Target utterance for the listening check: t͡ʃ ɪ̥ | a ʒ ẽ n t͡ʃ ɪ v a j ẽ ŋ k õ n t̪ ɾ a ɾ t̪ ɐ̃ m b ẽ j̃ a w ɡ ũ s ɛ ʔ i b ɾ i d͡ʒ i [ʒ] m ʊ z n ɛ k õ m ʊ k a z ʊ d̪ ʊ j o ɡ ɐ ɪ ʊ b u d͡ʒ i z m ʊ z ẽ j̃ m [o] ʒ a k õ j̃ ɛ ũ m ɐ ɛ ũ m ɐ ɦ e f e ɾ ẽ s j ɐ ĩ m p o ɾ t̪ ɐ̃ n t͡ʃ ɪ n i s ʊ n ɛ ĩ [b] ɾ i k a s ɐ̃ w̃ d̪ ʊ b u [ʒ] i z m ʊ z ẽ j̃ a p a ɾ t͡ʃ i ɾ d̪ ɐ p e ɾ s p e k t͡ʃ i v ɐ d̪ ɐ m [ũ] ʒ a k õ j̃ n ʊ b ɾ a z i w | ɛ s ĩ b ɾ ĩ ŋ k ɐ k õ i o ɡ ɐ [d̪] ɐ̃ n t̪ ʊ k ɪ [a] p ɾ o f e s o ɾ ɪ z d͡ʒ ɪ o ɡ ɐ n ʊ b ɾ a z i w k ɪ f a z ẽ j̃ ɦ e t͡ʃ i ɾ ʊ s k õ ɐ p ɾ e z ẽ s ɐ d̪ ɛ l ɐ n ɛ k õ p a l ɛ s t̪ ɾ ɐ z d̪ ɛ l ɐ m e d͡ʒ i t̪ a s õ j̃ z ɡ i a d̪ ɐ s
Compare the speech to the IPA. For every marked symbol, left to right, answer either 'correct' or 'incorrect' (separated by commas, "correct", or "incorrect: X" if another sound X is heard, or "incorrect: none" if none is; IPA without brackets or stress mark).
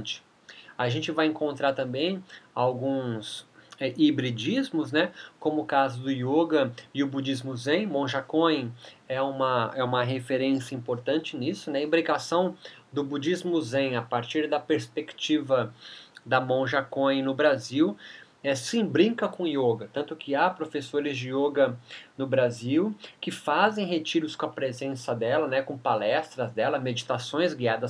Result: incorrect: z, incorrect: õ, correct, incorrect: d͡ʒ, incorrect: õ, incorrect: t̪, correct